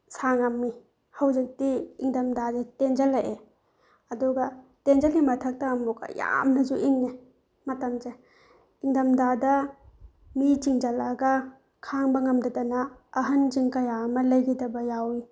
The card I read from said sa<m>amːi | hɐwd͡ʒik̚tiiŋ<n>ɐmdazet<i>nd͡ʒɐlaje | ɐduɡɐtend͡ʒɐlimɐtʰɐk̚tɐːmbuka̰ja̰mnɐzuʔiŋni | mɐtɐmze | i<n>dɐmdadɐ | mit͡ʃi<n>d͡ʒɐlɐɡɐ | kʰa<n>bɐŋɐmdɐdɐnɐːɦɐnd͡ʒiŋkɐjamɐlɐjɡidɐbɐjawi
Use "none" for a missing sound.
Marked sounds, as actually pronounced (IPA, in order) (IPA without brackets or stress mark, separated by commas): ŋ, d, e, ŋ, ŋ, ŋ